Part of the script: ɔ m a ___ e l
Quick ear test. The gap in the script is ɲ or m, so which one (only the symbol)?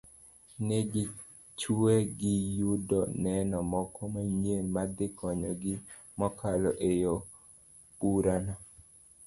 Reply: ɲ